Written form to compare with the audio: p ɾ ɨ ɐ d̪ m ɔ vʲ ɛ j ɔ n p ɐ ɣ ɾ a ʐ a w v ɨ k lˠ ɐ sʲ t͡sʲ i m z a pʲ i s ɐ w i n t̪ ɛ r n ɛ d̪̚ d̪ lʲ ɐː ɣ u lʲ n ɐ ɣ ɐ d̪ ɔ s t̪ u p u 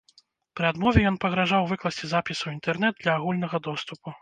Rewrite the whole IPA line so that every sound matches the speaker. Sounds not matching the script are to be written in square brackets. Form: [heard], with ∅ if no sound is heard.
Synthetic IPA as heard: p ɾ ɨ [a] d̪ m ɔ vʲ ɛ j ɔ n p ɐ ɣ ɾ a ʐ a w v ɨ k lˠ ɐ sʲ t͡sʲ i [∅] z a pʲ i s ɐ w i n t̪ ɛ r n ɛ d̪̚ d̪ lʲ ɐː ɣ u lʲ n ɐ ɣ ɐ d̪ ɔ s t̪ u p u